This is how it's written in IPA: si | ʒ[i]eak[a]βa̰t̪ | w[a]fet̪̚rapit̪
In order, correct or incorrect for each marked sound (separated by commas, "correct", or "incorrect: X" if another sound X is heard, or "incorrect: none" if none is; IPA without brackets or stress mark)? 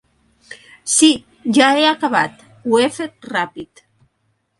incorrect: a, correct, incorrect: e